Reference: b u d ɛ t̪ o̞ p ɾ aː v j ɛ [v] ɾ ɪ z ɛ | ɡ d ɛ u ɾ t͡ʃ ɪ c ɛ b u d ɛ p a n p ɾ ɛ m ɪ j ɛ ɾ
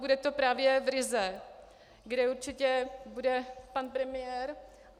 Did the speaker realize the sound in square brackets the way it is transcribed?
yes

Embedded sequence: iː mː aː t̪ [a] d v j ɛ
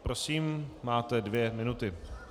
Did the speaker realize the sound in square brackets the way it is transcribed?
no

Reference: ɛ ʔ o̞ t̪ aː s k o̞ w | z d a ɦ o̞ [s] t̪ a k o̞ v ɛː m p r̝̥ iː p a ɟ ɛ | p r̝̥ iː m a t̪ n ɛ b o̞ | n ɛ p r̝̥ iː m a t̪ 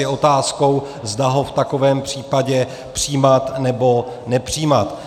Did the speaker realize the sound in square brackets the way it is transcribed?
no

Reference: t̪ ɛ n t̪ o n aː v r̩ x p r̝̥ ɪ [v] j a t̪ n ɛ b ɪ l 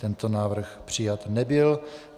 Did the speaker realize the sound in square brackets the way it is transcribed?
no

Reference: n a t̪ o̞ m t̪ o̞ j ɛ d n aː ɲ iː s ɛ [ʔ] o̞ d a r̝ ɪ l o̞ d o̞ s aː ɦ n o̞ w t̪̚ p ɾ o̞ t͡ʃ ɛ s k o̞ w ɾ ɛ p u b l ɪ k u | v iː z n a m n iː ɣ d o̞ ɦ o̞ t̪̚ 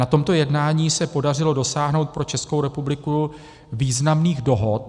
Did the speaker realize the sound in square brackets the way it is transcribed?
no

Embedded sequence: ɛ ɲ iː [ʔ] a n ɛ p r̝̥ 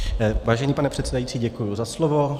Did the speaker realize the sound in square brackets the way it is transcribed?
no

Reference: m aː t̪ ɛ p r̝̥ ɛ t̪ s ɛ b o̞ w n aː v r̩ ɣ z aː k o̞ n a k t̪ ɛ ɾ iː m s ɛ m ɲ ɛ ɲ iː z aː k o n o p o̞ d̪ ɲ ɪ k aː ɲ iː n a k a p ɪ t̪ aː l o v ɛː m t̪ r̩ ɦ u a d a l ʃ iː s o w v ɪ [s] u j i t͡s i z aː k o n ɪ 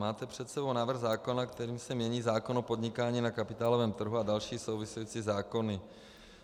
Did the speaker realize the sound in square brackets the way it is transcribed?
yes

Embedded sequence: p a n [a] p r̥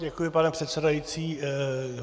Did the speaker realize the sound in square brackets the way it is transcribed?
no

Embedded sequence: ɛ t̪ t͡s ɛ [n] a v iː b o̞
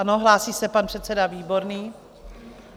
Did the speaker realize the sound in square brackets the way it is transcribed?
no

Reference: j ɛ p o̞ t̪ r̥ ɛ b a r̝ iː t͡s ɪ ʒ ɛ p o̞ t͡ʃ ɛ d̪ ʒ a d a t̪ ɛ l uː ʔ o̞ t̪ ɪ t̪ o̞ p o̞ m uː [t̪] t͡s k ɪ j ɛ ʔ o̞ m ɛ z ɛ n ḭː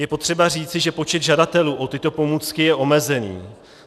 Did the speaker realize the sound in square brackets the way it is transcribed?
no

